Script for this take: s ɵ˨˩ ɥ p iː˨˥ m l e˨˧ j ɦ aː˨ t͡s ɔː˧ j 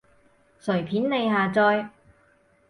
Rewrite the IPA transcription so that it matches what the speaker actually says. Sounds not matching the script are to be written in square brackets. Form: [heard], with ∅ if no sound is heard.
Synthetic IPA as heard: s ɵ˨˩ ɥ [pʰ] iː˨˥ [n] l e˨˧ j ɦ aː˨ t͡s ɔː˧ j